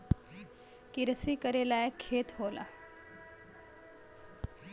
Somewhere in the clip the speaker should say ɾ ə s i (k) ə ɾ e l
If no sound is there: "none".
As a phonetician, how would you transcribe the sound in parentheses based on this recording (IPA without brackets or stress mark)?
k